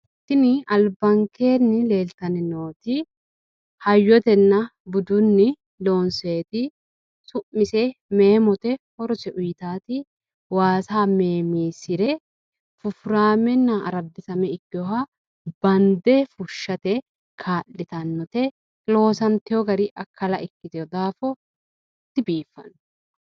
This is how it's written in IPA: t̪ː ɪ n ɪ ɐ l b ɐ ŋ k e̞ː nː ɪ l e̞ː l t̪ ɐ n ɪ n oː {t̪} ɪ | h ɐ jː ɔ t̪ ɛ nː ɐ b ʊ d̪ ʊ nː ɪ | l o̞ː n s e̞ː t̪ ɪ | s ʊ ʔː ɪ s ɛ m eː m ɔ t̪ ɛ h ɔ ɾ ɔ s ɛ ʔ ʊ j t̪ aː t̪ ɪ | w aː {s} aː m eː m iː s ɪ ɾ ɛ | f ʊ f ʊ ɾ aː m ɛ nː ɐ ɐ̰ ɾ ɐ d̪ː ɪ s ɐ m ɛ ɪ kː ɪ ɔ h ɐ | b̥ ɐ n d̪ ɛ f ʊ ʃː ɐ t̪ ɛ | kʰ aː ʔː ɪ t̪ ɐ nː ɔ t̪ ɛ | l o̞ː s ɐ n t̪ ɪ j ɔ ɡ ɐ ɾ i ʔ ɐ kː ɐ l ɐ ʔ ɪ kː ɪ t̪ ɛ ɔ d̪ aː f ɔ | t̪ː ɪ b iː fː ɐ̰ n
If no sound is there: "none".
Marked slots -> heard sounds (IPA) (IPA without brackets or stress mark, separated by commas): t̪, s